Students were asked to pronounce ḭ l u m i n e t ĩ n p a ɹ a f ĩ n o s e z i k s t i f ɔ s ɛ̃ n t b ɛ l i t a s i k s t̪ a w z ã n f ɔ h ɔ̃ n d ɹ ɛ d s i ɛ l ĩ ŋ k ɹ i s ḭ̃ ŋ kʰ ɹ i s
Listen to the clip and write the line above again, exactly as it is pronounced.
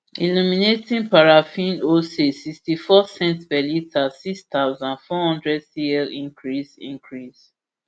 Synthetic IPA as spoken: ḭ l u m i n e t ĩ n p a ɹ a f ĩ n o s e s i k s t i f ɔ s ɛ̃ n t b ɛ l i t a s i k s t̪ a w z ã n f ɔ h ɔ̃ n d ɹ ɛ d s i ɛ l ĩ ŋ k ɹ i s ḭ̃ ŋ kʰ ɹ i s